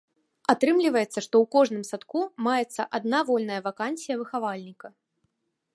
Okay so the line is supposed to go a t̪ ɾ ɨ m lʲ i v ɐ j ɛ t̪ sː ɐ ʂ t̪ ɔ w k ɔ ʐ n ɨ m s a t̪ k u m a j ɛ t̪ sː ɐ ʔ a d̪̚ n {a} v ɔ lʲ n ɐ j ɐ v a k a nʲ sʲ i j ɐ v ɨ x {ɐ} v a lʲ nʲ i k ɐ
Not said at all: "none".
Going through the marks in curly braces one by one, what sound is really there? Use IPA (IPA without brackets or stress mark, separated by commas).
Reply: a, a